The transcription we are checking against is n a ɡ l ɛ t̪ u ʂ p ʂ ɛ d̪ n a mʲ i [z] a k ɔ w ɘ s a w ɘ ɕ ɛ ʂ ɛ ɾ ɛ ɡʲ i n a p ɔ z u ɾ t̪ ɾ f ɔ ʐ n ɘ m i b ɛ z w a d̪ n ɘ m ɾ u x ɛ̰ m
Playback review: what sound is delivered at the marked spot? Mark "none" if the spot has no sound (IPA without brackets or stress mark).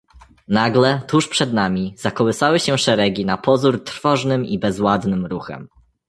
z